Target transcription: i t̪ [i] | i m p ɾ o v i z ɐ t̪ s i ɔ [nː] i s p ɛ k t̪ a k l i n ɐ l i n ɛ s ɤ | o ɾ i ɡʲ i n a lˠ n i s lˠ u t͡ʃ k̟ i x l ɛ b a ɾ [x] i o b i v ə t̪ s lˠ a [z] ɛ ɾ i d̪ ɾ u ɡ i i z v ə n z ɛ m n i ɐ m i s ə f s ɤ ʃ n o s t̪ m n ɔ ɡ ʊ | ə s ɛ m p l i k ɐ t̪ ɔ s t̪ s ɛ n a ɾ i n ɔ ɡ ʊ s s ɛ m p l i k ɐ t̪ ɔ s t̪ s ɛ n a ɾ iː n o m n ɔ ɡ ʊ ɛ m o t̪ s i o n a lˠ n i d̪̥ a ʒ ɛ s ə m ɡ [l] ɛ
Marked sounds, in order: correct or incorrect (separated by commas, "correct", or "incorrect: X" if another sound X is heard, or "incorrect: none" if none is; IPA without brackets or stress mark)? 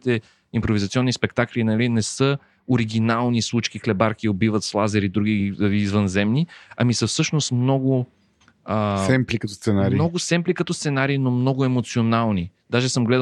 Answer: incorrect: ɛ, correct, incorrect: k, correct, correct